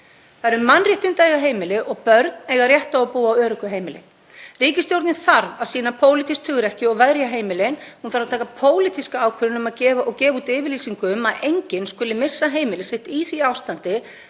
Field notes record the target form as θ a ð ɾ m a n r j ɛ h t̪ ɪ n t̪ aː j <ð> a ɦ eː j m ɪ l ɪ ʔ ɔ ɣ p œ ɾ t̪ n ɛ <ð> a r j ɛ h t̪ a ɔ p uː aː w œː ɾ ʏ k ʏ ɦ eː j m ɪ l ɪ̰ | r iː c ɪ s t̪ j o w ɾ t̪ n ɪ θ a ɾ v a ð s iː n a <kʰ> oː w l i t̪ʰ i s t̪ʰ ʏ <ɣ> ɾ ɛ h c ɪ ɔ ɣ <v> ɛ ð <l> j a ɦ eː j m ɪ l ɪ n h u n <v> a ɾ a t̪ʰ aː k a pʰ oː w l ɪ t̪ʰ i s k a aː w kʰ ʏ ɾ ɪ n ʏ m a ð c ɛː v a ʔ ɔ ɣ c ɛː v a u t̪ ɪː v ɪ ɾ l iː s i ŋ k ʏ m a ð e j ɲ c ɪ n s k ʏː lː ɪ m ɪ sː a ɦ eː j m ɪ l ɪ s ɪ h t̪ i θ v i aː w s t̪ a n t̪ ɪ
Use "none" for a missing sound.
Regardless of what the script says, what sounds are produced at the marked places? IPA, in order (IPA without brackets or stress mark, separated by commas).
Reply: ɣ, ɣ, pʰ, ɣ, v, ɾ, f